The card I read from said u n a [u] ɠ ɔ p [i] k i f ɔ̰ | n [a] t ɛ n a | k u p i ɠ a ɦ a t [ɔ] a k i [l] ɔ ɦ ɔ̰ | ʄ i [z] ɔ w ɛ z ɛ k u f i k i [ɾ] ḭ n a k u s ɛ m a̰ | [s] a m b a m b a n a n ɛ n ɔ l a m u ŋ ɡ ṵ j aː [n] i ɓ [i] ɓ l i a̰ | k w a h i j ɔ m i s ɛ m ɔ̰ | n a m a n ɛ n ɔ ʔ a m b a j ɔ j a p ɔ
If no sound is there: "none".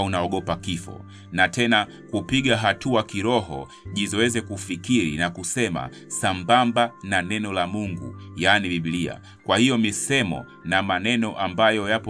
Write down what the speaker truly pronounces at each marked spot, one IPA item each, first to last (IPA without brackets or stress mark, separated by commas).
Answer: ɔ, a, a, u, ɾ, z, ɾ, s, n, i